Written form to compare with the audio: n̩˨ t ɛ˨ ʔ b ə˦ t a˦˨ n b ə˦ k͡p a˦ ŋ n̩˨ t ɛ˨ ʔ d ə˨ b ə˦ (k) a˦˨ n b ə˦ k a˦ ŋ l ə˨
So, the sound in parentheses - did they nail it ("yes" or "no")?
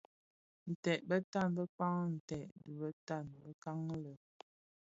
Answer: no